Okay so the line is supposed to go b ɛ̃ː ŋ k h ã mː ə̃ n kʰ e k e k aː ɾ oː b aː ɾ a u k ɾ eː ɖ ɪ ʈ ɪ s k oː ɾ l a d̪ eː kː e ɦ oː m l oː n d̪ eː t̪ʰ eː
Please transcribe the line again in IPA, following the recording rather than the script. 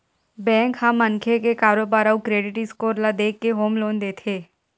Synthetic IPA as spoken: b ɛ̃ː ŋ k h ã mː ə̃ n kʰ e k e k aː ɾ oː b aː ɾ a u k ɾ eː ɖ ɪ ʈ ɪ s k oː ɾ l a d̪ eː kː e ɦ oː m l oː n d̪ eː t̪ʰ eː